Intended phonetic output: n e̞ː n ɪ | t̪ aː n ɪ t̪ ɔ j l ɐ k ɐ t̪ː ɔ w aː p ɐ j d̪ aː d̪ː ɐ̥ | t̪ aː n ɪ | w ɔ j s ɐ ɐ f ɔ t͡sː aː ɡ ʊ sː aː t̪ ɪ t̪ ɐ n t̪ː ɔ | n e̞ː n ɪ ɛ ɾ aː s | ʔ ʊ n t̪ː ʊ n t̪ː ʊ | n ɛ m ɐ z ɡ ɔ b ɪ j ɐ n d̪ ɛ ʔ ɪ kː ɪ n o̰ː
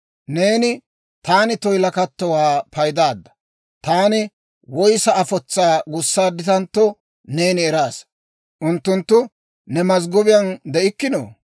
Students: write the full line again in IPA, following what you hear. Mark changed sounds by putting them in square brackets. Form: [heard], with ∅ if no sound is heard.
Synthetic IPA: n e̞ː n ɪ | t̪ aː n ɪ t̪ ɔ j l ɐ k ɐ t̪ː ɔ w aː p ɐ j d̪ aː d̪ː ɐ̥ | t̪ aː n ɪ | w ɔ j s ɐ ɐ f ɔ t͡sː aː ɡ ʊ sː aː [d̪] ɪ t̪ ɐ n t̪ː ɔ | n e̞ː n ɪ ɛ ɾ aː s | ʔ ʊ n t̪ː ʊ n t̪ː ʊ | n ɛ m ɐ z ɡ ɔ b ɪ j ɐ n d̪ ɛ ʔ ɪ kː ɪ n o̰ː